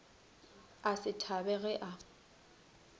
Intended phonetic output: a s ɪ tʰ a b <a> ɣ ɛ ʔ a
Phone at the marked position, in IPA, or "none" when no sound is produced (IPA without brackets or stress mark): ɛ